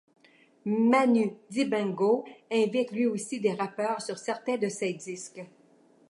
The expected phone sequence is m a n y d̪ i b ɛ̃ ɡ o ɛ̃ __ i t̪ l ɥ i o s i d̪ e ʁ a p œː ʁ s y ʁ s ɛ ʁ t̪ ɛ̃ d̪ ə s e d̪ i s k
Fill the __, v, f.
v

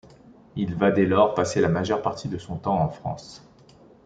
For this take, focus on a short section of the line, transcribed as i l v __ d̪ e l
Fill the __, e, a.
a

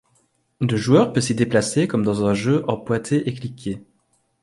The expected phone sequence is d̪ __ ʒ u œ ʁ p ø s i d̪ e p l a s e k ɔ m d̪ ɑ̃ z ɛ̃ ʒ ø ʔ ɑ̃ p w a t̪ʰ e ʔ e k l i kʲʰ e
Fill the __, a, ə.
ə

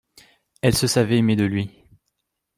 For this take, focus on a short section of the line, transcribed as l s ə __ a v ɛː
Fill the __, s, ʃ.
s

